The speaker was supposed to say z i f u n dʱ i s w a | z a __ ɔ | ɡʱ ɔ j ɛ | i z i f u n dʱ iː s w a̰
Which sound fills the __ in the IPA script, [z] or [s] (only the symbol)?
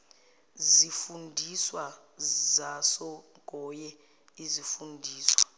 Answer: s